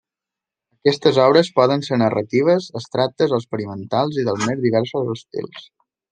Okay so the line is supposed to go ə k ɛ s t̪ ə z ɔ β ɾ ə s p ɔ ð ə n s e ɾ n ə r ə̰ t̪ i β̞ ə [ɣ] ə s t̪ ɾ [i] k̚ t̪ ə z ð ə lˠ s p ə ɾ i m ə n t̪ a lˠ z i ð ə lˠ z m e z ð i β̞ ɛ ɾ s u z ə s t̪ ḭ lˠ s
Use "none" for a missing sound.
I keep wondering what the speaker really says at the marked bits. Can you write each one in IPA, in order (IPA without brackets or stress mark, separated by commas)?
z, a